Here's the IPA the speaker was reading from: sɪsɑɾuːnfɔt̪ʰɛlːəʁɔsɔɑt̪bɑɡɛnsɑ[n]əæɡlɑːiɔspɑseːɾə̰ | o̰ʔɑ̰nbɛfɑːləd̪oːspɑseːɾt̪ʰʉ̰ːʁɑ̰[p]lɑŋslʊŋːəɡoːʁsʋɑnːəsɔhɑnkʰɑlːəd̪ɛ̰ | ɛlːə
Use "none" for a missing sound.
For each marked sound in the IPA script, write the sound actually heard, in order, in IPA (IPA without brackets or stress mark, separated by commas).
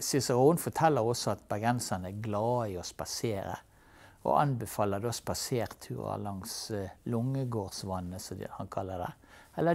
n, none